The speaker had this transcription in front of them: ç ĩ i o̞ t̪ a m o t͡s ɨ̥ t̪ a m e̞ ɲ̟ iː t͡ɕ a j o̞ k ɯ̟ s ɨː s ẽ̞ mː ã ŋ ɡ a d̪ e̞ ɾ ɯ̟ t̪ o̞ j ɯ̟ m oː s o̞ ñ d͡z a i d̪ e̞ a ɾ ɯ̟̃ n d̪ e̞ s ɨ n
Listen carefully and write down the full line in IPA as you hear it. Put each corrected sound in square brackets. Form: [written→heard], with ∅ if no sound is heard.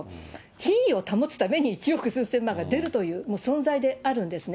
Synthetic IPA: ç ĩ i o̞ t̪ a m o t͡s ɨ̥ t̪ a m e̞ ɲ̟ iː t͡ɕ [a→i] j o̞ k ɯ̟ s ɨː s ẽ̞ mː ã ŋ ɡ a d̪ e̞ ɾ ɯ̟ t̪ o̞ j [ɯ̟→ɯ̟ː] m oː s [o̞→õ̞] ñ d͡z a i d̪ e̞ a ɾ ɯ̟̃ n d̪ e̞ s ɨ n